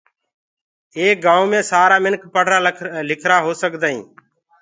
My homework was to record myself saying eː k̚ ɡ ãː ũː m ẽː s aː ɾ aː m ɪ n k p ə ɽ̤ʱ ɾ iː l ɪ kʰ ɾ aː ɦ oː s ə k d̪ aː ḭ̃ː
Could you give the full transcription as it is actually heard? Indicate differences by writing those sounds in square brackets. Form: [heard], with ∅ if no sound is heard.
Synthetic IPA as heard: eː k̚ ɡ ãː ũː m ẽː s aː ɾ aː m ɪ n k p ə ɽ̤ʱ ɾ [aː] l ɪ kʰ ɾ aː ɦ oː s ə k d̪ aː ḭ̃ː